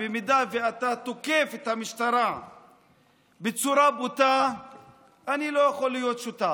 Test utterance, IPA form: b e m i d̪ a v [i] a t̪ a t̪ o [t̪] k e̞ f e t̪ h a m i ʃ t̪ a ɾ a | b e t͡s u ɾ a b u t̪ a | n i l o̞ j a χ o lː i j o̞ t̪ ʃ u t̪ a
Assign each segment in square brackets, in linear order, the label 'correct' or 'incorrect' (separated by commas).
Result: incorrect, incorrect